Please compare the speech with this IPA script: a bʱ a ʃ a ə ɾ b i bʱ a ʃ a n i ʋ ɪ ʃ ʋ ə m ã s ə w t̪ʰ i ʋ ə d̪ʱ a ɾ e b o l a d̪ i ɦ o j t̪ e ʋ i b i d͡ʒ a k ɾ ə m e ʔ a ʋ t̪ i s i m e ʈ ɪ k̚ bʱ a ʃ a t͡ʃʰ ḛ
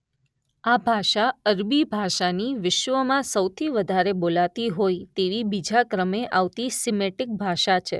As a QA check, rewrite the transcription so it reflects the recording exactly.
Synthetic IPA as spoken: a bʱ a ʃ a ə ɾ b i bʱ a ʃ a n i ʋ ɪ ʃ ʋ ə m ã s ə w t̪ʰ i ʋ ə d̪ʱ a ɾ e b o l a t̪ i ɦ o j t̪ e ʋ i b i d͡ʒ a k ɾ ə m e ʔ a ʋ t̪ i s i m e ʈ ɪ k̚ bʱ a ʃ a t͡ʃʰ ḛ